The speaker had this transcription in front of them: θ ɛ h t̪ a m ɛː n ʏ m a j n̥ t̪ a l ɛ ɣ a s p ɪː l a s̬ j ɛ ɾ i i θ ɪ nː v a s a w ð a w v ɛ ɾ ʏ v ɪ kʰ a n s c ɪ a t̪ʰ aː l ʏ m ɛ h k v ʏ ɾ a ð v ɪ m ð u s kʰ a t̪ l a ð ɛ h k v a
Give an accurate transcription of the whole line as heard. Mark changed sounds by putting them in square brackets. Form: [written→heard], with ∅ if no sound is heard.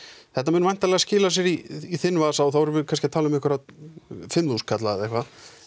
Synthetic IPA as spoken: θ ɛ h t̪ a m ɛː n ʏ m a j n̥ t̪ a l ɛ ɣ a s [p→c] ɪː l a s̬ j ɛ ɾ i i θ ɪ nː v a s a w [ð→θ] a w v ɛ ɾ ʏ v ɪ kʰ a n s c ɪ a t̪ʰ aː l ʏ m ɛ h k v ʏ ɾ a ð [v→f] ɪ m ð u s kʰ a t̪ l a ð ɛ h k v a

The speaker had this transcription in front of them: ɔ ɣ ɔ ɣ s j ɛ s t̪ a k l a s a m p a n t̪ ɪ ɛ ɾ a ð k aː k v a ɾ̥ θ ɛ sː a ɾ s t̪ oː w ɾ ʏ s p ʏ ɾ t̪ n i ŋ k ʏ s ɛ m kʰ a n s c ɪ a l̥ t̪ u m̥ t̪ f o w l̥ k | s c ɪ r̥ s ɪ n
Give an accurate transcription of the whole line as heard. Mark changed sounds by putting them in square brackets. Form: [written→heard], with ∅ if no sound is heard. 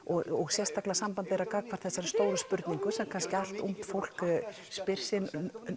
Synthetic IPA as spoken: ɔ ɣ ɔ ɣ s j ɛ s t̪ a k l a s a m p a n t̪ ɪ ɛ ɾ a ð k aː k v a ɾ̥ θ ɛ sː a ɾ s t̪ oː w ɾ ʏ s p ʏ ɾ t̪ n i ŋ k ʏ s ɛ m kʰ a n s c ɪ a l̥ t̪ u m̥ t̪ f o w l̥ k | s [c→p] ɪ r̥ s ɪ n

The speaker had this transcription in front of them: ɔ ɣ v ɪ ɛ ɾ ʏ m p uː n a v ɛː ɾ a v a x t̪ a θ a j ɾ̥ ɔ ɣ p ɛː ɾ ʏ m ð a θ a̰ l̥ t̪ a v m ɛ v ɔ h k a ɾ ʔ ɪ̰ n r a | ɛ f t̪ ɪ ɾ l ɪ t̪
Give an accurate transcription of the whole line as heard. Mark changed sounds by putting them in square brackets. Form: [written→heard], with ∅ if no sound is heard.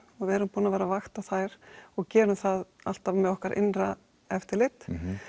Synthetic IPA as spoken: ɔ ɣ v ɪ ɛ ɾ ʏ m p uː n a v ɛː ɾ a v a x t̪ a θ a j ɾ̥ ɔ ɣ [p→c] ɛː ɾ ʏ m [ð→θ] a [θ→ð] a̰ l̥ t̪ a v m ɛ [v→ð] ɔ h k a ɾ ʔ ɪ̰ n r a | ɛ f t̪ ɪ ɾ l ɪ t̪

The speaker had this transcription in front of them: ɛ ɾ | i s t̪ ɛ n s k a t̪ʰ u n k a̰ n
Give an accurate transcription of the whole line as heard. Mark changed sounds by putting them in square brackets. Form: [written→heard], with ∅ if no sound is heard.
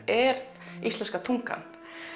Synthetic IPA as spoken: ɛ ɾ | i s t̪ ɛ n s k a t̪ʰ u [n→ŋ] k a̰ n

